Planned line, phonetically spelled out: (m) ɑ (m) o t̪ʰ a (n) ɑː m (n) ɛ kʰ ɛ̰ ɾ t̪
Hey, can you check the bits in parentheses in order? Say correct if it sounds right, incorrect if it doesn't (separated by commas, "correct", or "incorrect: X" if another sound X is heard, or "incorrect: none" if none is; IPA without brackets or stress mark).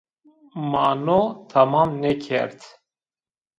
correct, incorrect: n, incorrect: m, correct